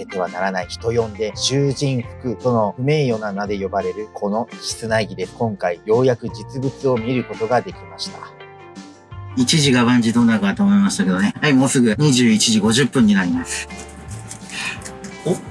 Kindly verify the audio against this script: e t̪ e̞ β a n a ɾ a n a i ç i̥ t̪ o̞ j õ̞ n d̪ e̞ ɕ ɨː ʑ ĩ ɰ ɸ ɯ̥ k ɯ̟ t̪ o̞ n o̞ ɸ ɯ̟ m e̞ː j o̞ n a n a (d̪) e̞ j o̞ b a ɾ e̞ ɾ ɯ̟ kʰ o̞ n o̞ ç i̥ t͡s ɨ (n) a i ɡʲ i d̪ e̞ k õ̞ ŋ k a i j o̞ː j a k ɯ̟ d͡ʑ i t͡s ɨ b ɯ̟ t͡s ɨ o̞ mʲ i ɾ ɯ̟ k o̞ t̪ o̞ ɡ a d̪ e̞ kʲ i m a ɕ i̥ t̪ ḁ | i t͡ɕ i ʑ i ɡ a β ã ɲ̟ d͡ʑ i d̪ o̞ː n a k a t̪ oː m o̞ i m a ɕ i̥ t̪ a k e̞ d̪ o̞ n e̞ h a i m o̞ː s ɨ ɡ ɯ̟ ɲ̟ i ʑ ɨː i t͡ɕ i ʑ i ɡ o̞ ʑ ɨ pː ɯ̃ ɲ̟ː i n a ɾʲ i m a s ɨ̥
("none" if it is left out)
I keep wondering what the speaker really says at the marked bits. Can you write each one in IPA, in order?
d̪, n

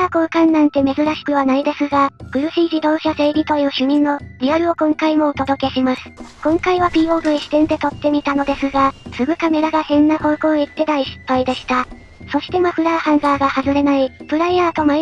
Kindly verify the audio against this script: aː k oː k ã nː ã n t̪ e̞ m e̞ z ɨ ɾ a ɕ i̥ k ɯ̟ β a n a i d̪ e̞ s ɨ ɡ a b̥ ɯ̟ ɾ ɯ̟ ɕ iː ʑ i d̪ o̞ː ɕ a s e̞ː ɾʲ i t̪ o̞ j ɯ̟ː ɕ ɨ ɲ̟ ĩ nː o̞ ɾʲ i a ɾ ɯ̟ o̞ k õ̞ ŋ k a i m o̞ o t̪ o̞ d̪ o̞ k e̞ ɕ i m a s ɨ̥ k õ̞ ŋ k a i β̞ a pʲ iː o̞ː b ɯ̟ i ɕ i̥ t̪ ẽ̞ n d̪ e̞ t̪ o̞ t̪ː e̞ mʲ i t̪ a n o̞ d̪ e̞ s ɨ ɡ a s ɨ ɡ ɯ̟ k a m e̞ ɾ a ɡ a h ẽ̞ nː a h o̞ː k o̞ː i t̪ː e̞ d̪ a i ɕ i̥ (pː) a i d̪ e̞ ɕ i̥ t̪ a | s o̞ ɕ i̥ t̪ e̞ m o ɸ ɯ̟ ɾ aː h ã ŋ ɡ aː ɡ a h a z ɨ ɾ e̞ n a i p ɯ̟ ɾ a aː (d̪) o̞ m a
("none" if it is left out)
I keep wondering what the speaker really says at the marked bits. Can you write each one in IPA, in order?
pː, t̪

